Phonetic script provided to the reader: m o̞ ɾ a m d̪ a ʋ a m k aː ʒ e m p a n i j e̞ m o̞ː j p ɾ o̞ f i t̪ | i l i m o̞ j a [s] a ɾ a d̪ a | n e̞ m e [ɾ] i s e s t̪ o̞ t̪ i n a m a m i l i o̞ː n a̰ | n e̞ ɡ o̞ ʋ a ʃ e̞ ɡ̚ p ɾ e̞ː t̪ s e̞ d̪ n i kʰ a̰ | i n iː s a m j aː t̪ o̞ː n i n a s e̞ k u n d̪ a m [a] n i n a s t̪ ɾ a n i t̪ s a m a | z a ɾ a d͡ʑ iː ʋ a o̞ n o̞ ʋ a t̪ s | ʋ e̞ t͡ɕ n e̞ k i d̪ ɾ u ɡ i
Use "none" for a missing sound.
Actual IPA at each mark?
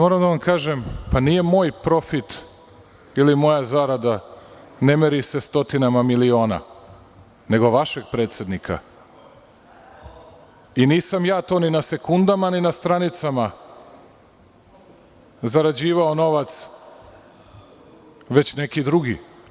z, ɾ, a

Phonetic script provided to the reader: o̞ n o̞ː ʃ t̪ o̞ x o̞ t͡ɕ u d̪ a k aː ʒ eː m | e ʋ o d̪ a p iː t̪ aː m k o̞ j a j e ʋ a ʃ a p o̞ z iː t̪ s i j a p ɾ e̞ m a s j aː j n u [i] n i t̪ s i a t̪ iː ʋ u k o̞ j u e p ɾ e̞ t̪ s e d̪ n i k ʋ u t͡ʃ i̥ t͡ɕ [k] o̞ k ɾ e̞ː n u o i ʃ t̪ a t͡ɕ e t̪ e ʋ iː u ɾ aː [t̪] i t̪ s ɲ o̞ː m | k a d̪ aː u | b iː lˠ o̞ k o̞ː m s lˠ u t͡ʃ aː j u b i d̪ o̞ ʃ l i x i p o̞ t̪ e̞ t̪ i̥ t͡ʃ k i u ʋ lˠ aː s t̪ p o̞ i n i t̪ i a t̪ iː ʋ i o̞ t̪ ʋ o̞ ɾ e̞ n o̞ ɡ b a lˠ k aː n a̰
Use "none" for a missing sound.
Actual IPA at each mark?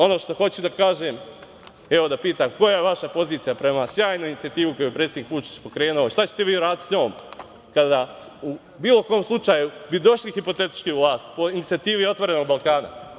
i, p, d̪

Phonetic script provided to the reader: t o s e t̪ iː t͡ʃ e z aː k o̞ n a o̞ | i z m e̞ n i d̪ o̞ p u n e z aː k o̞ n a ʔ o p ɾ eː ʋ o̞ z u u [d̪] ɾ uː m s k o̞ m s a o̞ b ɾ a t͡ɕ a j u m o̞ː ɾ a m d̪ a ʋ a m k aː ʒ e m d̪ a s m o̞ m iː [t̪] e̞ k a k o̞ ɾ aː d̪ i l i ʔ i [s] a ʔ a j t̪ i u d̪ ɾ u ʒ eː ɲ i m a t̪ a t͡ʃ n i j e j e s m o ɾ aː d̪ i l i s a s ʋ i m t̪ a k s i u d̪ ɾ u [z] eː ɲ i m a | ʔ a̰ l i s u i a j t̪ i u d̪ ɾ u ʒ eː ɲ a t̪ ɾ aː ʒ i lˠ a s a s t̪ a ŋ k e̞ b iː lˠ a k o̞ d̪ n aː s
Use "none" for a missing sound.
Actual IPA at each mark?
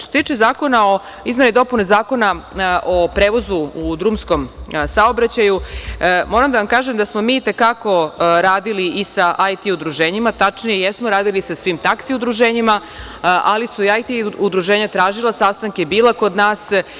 d̪, t̪, s, ʒ

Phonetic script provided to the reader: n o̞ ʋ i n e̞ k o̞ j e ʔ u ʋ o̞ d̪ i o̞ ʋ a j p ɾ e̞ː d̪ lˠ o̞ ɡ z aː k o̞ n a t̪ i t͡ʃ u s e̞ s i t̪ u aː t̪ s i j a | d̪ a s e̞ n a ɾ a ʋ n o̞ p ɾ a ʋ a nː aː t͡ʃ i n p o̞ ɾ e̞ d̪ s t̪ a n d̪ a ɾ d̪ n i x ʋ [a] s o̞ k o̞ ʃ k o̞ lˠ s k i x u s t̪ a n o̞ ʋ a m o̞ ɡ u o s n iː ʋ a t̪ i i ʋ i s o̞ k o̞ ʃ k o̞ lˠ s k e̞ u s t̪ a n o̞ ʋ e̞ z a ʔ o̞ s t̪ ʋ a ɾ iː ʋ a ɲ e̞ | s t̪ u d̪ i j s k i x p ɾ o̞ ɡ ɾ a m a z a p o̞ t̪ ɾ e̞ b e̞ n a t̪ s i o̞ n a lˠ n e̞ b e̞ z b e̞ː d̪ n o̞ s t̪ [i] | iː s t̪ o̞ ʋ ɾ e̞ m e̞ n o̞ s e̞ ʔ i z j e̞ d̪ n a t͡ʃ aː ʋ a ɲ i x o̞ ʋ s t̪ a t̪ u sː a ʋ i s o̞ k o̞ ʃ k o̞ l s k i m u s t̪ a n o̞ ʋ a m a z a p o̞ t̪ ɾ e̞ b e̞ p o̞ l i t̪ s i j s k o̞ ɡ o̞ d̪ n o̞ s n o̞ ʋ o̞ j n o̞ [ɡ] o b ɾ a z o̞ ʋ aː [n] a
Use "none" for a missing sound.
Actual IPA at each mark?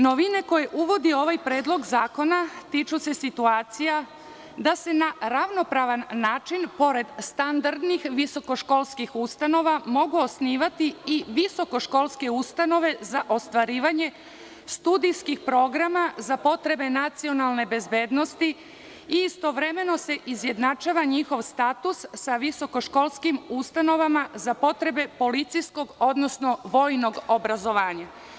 i, i, ɡ, ɲ

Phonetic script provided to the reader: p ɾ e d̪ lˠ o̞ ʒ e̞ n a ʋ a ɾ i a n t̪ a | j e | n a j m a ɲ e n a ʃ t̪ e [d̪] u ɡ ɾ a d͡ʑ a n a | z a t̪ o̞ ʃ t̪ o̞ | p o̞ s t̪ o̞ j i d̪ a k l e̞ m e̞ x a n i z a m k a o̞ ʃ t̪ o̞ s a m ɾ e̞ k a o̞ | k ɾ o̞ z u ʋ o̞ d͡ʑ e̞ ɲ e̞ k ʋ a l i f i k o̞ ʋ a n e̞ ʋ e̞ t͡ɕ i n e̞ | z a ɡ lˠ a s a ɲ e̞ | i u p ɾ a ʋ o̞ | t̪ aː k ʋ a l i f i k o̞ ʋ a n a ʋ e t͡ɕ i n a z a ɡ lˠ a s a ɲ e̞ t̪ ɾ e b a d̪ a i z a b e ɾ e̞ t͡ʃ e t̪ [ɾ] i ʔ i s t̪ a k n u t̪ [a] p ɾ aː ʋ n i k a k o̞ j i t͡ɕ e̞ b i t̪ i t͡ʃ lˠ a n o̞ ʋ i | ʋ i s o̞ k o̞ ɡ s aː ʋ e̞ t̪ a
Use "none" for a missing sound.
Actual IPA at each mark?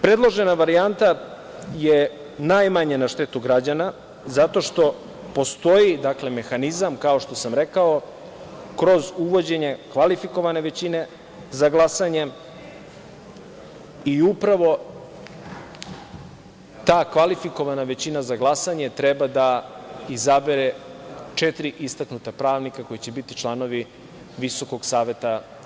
t̪, ɾ, a

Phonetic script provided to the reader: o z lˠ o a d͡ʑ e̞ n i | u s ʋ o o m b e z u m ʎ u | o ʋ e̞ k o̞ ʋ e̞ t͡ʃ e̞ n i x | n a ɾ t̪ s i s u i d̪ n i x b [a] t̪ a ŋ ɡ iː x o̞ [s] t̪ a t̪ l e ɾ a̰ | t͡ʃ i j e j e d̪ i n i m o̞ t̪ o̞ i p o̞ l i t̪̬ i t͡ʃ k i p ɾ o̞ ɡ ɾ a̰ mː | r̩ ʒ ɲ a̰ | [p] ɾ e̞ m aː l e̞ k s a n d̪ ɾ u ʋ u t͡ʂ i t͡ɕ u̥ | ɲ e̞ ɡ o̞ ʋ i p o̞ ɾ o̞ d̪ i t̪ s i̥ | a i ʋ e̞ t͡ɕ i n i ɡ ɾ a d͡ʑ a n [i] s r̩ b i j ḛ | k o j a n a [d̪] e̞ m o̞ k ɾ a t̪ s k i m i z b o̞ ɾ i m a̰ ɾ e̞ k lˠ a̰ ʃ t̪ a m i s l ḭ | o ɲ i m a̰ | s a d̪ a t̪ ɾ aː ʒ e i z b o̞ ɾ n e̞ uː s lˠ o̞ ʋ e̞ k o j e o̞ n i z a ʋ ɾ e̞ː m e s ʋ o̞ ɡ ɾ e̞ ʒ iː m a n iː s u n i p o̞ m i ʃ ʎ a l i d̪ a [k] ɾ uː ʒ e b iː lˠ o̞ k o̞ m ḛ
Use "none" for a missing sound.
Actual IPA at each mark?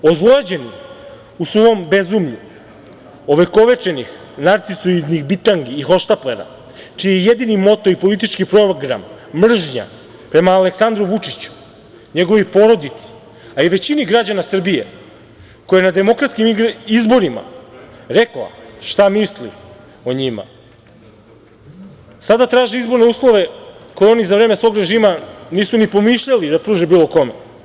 i, ʃ, p, a, d̪, p

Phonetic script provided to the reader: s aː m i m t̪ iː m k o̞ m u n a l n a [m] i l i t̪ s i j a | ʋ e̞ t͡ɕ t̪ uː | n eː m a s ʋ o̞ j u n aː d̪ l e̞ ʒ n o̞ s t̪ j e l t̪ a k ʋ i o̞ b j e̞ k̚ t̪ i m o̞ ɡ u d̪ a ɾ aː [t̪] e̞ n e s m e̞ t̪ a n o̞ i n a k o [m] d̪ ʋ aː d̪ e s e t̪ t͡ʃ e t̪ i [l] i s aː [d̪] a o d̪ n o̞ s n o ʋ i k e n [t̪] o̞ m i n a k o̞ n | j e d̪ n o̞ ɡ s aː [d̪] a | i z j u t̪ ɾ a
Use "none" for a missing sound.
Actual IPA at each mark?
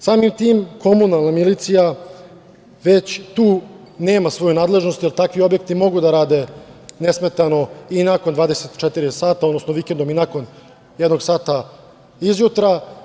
m, d̪, n, ɾ, t̪, d̪, t̪

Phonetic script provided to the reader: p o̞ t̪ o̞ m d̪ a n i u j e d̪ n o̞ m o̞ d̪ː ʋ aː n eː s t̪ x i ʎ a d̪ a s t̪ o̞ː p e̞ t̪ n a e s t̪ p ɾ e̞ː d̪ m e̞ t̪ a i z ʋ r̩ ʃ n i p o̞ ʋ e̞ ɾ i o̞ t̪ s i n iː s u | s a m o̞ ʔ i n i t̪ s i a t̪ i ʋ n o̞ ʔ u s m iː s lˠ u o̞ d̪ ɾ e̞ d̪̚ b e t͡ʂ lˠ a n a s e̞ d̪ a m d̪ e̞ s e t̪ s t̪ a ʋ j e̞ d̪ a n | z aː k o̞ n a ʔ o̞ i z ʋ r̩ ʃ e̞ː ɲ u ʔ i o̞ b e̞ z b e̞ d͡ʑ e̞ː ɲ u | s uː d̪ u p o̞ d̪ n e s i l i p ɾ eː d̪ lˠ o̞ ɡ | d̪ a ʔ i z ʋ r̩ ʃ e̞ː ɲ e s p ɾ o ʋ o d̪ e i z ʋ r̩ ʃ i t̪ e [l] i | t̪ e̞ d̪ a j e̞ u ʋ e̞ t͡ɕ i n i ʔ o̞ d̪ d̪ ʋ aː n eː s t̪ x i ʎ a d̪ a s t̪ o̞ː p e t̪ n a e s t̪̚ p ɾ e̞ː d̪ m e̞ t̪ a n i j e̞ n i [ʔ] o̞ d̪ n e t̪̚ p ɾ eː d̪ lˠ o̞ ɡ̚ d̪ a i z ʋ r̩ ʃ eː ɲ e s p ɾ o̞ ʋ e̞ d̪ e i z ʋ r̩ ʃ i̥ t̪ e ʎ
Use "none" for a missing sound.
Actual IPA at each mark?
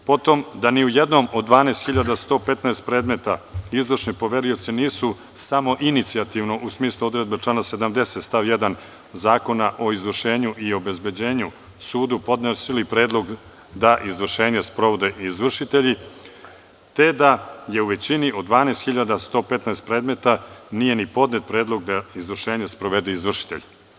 ʎ, p

